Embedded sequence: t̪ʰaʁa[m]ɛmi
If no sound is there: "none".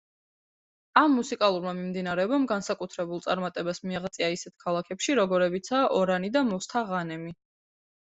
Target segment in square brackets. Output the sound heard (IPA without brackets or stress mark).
n